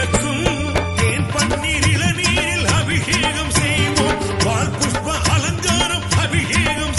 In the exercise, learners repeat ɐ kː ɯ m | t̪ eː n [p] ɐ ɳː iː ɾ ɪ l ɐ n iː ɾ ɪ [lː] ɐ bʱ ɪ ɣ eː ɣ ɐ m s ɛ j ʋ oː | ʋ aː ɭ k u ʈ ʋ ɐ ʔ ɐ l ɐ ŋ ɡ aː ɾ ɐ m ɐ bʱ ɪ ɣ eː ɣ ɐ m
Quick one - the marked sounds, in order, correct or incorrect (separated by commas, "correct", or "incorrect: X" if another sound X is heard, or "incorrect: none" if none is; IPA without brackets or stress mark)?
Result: correct, incorrect: l